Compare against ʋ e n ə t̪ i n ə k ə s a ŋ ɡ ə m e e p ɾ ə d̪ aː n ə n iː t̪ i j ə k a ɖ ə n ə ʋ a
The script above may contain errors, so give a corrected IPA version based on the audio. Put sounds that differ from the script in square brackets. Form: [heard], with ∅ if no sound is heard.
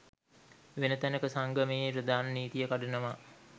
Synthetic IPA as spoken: ʋ e n ə t̪ [æ] n ə k ə s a ŋ ɡ ə m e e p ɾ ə d̪ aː n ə n iː t̪ i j ə k a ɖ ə n ə ʋ a